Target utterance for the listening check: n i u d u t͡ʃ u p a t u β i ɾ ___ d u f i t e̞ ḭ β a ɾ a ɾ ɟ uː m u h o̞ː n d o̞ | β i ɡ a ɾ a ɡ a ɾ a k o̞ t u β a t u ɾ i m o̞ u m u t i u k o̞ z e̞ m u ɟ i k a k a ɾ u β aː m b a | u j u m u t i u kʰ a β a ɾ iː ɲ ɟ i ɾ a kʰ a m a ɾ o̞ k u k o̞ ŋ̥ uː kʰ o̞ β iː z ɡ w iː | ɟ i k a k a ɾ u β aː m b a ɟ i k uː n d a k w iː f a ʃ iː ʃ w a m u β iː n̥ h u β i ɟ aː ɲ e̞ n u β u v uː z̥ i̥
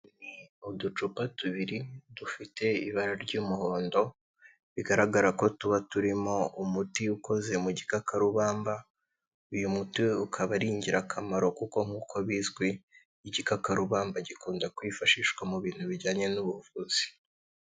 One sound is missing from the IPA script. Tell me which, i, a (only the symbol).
i